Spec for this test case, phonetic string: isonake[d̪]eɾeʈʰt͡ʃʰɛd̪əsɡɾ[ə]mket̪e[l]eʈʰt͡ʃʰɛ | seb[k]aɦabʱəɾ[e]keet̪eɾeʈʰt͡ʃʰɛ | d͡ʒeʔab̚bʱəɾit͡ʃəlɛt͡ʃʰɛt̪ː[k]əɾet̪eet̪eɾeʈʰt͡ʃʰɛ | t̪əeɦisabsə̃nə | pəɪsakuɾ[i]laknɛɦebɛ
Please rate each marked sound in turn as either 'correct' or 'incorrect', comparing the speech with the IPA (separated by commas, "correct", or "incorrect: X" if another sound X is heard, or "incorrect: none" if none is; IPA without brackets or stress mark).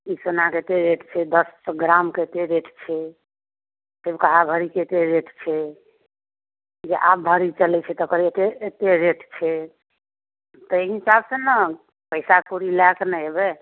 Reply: incorrect: t̪, incorrect: a, incorrect: ɾ, correct, incorrect: i, correct, correct